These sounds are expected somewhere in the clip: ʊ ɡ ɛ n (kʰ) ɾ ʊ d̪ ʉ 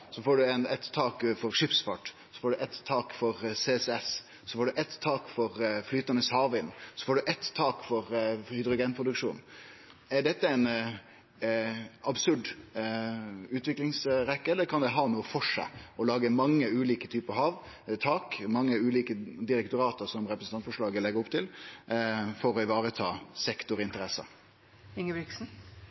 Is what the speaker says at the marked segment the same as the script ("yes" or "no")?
no